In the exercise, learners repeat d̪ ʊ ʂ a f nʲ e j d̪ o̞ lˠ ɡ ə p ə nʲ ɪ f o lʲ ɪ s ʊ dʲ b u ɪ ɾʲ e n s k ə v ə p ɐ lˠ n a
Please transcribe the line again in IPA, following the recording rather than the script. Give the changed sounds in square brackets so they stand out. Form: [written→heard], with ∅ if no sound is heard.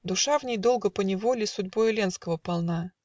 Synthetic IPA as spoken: d̪ ʊ ʂ a [f→v] nʲ e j d̪ o̞ lˠ ɡ ə p ə nʲ ɪ [f→v] o lʲ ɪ s ʊ dʲ b [u→o] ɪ [ɾʲ→lʲ] e n s k ə v ə p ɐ lˠ n a

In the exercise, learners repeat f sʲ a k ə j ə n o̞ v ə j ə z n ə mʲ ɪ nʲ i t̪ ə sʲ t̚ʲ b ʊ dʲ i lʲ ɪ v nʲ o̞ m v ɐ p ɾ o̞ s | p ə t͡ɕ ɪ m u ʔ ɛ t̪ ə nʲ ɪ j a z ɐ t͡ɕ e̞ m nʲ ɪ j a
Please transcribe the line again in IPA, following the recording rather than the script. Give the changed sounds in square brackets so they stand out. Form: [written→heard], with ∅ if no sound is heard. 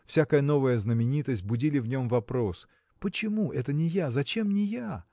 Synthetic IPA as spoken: f sʲ a k ə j ə n o̞ v ə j ə z n ə mʲ ɪ nʲ i t̪ ə sʲ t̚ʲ b ʊ dʲ i lʲ ɪ v nʲ o̞ m v ɐ p ɾ o̞ s | p ə t͡ɕ ɪ m u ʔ ɛ t̪ ə nʲ ɪ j a z ɐ t͡ɕ e̞ m nʲ ɪ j a

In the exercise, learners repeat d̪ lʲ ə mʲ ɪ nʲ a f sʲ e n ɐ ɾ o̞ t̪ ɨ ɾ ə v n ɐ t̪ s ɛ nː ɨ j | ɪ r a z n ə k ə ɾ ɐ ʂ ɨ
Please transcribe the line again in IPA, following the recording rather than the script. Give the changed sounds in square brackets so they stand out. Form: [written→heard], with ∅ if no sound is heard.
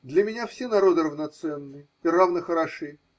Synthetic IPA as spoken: d̪ lʲ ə mʲ ɪ nʲ a f sʲ e n ɐ ɾ o̞ [t̪→d̪] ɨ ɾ ə v n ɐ t̪ s ɛ nː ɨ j | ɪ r a [z→v] n ə [k→x] ə ɾ ɐ ʂ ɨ

